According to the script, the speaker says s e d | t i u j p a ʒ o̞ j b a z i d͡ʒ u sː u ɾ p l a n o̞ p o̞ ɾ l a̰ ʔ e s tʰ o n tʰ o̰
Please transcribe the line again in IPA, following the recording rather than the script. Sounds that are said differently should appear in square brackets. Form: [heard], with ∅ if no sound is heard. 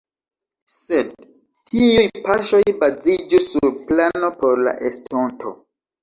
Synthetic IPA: s e d | t i u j p a [ʃ] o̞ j b a z i d͡ʒ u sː u ɾ p l a n o̞ p o̞ ɾ l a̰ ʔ e s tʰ o n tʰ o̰